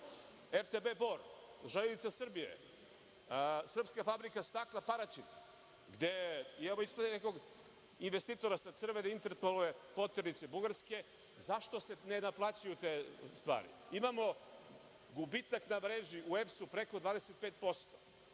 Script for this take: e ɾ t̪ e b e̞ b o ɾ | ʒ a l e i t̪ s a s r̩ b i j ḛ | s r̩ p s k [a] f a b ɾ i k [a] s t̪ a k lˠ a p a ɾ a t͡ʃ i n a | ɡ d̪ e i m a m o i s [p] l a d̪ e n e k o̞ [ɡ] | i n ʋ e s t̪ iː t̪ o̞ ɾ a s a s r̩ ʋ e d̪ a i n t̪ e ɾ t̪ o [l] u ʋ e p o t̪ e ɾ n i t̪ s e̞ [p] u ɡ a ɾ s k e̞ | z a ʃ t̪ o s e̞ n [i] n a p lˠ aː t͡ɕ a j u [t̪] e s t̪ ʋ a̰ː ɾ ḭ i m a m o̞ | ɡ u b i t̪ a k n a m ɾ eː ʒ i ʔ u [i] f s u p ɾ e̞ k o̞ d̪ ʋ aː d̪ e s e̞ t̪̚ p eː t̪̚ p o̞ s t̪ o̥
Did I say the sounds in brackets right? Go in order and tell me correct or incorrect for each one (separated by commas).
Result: correct, correct, correct, correct, correct, incorrect, incorrect, correct, incorrect